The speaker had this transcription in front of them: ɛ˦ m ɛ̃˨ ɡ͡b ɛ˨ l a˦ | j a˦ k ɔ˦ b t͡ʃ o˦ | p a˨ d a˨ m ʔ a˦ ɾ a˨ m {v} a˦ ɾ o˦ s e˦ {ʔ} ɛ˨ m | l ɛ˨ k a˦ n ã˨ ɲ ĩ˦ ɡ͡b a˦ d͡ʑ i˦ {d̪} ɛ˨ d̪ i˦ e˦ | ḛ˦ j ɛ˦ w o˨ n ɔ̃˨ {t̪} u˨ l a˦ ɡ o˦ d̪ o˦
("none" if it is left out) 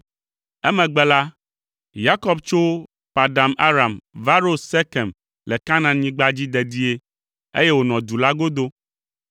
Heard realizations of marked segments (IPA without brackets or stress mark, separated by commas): v, k, d̪, d̪